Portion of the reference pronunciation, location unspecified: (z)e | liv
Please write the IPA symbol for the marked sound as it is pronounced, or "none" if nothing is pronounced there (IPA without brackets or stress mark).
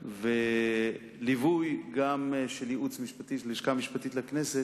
v